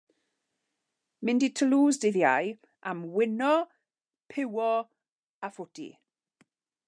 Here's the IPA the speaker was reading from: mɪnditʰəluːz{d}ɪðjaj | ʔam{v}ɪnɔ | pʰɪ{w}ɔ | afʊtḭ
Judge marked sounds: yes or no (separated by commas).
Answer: yes, no, yes